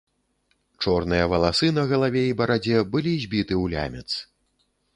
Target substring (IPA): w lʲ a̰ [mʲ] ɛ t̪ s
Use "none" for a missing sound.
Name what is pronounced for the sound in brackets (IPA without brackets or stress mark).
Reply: mʲ